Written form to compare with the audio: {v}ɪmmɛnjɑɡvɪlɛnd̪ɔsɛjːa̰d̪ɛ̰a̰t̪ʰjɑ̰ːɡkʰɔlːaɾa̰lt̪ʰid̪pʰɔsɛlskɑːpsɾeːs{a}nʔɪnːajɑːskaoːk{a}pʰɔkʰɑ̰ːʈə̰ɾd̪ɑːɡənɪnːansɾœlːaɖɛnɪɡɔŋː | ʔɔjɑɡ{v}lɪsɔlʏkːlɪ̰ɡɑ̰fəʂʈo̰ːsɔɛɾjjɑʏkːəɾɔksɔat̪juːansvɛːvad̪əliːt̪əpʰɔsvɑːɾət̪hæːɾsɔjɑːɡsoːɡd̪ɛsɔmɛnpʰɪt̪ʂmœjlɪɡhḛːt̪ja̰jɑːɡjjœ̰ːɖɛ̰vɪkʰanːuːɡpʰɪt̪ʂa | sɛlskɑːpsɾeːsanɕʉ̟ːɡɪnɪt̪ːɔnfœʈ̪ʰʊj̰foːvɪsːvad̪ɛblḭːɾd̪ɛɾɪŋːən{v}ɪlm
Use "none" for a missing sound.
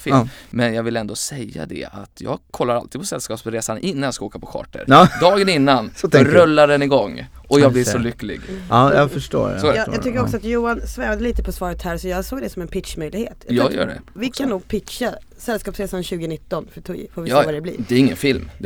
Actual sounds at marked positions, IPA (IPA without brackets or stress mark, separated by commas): f, a, a, b, f